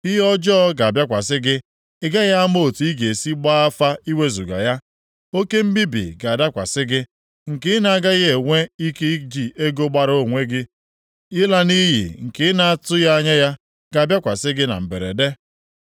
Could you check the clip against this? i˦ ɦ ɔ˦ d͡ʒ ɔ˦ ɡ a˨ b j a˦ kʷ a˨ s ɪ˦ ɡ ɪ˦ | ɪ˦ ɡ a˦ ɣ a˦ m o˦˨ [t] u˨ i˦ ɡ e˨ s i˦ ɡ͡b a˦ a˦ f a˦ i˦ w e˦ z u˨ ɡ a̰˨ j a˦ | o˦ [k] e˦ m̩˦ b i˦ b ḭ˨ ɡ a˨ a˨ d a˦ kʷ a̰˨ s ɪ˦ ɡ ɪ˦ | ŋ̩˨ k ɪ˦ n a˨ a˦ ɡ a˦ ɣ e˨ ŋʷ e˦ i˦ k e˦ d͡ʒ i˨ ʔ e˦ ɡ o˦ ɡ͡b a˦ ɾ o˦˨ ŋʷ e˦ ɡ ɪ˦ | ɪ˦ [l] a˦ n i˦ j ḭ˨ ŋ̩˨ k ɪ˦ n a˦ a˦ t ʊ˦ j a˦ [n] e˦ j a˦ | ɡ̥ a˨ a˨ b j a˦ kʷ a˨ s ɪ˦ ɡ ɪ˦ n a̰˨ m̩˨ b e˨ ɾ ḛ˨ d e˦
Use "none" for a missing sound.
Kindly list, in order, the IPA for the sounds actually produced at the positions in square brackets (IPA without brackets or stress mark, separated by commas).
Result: t, k, l, ɲ